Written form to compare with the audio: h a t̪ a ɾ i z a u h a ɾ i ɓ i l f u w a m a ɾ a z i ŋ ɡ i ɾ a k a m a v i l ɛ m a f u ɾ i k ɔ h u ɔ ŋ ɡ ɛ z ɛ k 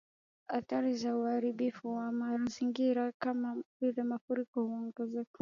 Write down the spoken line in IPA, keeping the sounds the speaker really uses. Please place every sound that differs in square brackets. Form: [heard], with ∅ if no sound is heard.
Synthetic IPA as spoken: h a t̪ a ɾ i z a u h a ɾ i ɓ i [∅] f u w a m a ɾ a z i ŋ ɡ i ɾ a k a m a v i l ɛ m a f u ɾ i k ɔ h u ɔ ŋ ɡ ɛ z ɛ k